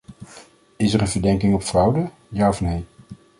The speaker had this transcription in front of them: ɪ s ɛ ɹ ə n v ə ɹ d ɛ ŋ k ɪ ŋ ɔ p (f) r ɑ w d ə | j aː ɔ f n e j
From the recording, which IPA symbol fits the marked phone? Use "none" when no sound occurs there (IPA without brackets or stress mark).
f